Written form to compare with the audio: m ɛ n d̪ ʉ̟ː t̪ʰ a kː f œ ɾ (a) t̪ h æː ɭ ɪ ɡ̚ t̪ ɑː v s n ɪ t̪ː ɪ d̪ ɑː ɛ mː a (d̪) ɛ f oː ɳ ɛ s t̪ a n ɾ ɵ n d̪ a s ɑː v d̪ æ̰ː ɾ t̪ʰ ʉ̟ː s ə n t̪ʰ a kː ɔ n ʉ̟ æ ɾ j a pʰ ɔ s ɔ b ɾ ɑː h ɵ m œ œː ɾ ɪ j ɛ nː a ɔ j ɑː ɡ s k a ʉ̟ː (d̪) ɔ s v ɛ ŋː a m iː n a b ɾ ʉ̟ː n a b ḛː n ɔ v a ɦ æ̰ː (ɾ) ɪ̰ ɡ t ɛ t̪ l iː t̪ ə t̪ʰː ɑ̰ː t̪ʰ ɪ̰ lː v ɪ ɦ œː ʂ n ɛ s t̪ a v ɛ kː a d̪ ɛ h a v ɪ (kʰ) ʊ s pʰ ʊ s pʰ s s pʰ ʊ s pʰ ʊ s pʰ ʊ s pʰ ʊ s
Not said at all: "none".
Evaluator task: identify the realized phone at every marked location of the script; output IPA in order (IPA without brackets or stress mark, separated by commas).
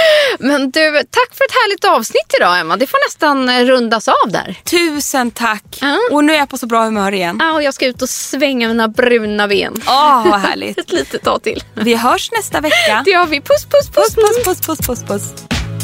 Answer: ɛ, d̪, t̪, ɭ, pʰ